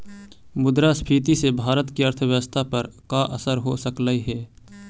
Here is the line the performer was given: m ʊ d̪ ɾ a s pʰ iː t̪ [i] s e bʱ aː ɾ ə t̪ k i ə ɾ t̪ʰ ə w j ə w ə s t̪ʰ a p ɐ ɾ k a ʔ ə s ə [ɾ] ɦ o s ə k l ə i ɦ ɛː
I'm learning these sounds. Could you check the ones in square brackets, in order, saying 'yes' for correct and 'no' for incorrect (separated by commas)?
yes, yes